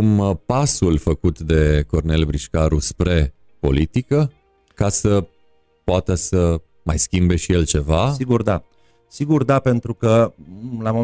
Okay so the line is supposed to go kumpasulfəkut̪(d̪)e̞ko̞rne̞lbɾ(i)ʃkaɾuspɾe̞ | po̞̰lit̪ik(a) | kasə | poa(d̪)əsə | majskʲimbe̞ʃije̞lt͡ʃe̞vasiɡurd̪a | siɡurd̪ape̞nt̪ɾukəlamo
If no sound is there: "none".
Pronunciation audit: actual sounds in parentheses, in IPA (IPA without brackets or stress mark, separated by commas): d̪, i, ə, t̪